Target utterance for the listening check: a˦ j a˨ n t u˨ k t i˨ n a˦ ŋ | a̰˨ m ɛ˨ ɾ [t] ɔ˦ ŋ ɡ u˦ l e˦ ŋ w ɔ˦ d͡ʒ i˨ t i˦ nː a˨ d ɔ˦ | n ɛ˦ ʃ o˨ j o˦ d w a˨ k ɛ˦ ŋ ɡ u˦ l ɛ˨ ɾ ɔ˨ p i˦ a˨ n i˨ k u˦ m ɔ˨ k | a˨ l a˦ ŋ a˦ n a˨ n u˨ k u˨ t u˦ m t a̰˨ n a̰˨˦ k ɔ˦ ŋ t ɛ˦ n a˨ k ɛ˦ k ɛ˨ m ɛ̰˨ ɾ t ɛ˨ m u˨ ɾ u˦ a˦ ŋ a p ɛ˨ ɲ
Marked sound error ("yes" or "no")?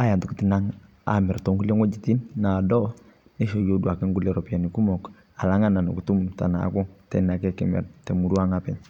no